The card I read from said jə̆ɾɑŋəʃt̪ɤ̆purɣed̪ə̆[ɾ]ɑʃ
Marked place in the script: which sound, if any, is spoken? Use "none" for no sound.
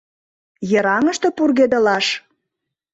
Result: l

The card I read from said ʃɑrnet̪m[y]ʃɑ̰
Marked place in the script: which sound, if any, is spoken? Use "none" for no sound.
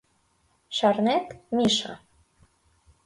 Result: i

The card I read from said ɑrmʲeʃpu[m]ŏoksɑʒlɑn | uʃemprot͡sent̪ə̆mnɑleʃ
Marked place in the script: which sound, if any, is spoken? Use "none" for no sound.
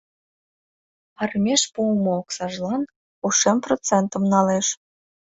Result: m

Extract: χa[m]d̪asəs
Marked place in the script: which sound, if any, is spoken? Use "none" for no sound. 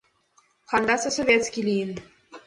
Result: n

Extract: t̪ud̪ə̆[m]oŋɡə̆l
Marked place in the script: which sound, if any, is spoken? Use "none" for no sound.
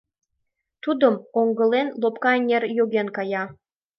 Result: m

